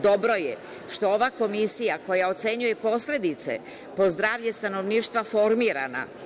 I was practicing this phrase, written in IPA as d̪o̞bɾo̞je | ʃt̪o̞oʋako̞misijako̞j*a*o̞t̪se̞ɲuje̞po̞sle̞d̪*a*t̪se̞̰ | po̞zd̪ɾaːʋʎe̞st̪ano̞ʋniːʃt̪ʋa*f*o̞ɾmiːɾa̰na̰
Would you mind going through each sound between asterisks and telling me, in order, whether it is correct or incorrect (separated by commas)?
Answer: correct, incorrect, correct